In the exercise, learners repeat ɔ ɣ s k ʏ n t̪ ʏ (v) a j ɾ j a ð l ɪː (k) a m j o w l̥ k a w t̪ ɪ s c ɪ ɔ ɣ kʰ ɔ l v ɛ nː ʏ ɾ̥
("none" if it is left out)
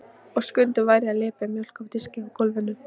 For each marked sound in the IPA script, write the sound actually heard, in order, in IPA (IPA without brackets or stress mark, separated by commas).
v, p